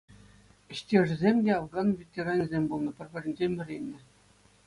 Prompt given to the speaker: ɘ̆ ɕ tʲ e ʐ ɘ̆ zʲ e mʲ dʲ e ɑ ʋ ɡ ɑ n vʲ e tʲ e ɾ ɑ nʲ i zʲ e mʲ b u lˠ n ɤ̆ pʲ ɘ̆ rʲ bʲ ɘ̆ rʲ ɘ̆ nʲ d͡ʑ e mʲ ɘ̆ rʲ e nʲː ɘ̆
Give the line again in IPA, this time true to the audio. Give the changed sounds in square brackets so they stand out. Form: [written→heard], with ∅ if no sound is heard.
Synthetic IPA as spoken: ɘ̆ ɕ tʲ e ʐ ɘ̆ zʲ e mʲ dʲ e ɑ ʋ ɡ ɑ n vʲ e tʲ e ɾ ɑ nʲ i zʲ e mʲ b u lˠ n ɤ̆ pʲ ɘ̆ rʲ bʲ ɘ̆ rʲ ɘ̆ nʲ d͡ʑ e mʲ ɘ̆ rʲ e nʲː ɘ̆